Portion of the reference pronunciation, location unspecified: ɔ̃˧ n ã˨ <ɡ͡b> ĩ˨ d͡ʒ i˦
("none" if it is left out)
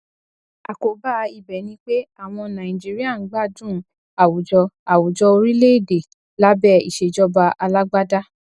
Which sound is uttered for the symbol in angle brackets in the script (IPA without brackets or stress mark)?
none